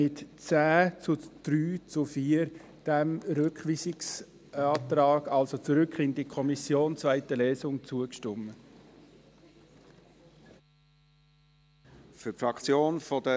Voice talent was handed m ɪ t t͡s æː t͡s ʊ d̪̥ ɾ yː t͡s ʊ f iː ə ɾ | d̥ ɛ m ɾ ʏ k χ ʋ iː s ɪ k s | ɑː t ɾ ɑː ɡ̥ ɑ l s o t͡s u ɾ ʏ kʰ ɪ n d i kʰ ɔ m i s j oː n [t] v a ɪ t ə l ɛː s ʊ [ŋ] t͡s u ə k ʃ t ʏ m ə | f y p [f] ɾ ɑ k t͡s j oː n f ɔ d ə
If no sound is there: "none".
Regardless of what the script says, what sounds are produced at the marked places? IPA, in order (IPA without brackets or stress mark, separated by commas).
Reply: t͡s, ŋ, f